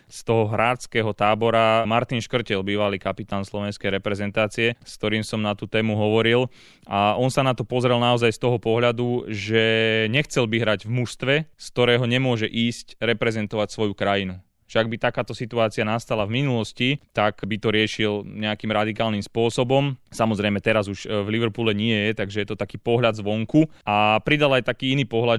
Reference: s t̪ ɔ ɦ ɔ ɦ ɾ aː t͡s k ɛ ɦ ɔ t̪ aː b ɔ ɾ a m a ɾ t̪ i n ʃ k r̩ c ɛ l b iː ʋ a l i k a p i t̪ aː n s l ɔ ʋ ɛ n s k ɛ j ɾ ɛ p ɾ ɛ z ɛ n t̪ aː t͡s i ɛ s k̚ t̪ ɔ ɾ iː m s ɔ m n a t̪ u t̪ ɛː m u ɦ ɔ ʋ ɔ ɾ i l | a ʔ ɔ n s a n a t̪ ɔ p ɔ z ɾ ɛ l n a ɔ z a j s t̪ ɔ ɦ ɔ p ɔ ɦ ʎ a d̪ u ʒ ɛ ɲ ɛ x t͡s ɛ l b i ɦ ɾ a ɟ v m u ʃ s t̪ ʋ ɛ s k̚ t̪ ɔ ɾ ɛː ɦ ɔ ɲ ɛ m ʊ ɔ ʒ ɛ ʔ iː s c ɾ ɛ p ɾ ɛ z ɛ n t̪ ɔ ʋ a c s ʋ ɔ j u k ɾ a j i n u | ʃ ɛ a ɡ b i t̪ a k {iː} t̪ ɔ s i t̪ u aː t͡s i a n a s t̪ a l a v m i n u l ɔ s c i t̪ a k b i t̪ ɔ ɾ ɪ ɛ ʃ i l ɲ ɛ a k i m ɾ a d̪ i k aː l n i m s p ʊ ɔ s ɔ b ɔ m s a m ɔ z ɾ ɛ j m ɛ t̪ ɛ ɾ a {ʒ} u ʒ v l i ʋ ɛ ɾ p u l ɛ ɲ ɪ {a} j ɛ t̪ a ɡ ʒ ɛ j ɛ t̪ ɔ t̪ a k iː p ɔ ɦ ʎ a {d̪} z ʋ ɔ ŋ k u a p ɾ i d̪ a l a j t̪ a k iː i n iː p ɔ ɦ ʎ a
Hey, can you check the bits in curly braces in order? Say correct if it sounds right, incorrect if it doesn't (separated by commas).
incorrect, incorrect, incorrect, correct